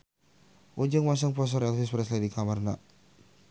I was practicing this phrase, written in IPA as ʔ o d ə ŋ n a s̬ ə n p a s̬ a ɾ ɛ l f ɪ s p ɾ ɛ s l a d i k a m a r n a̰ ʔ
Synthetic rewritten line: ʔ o d͡ʒ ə ŋ m a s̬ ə ŋ p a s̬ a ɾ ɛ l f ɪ s p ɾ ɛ s l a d i k a m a r n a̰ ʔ